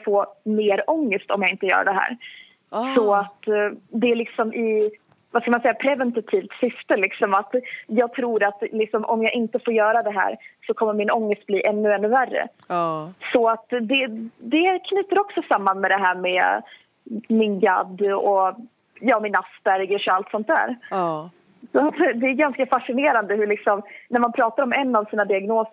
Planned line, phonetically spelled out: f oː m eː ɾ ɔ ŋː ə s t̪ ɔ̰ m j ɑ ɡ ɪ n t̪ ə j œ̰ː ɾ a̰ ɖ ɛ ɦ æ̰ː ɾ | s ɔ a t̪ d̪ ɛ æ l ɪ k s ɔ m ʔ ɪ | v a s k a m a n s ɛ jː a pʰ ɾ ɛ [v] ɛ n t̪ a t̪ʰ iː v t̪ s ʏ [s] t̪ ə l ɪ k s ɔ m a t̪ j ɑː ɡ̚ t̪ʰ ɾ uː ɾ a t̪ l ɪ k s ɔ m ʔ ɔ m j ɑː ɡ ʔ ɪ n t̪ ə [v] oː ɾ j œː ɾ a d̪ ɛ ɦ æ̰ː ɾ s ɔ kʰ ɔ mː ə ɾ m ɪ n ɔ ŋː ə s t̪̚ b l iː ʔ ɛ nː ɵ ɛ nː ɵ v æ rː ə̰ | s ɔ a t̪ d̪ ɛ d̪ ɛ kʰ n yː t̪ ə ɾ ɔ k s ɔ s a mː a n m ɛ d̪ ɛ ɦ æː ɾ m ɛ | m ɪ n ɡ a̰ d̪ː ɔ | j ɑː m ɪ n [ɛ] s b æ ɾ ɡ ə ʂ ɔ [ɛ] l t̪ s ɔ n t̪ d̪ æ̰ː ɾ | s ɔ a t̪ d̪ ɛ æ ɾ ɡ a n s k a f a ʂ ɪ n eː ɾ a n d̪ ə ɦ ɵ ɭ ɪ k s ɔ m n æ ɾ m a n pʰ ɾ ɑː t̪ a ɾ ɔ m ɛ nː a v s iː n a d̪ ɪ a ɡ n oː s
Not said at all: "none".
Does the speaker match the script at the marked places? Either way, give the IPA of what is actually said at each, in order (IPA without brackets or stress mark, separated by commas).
v, f, f, a, a